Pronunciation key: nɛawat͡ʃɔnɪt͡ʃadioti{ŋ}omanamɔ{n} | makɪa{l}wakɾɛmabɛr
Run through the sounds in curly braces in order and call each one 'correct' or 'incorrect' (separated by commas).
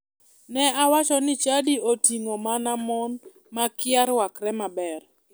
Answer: correct, correct, incorrect